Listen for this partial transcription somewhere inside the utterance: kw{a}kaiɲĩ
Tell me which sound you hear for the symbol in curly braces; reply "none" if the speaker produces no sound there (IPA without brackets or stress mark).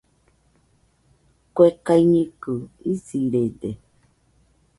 e